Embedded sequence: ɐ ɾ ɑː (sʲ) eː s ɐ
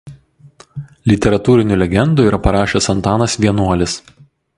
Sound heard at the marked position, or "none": ʃʲ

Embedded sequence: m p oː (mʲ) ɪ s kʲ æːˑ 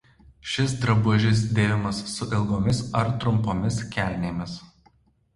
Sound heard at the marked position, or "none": mʲ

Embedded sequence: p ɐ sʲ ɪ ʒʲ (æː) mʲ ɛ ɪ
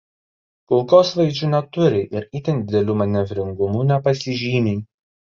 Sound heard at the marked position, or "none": iː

